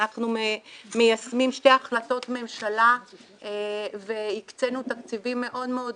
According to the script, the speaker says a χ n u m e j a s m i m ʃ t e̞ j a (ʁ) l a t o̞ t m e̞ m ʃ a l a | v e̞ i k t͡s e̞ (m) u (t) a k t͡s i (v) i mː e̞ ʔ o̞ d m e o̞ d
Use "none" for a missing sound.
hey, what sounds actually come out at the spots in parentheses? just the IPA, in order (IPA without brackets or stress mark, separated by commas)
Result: χ, n, t, v